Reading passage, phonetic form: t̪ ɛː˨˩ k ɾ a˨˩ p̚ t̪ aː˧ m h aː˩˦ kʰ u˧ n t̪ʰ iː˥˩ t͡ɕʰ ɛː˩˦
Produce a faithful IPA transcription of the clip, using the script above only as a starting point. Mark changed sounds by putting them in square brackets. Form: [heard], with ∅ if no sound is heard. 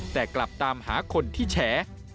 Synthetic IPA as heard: t̪ ɛː˨˩ k [l] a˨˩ p̚ t̪ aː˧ m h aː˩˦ kʰ [o˧] n t̪ʰ iː˥˩ t͡ɕʰ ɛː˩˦